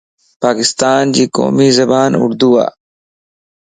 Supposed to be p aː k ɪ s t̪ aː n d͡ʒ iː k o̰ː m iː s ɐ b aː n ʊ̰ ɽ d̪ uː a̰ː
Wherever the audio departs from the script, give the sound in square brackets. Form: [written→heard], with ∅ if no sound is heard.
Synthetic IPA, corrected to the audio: p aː k ɪ s t̪ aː n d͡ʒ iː k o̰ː m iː [s→z] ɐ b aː n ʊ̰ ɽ d̪ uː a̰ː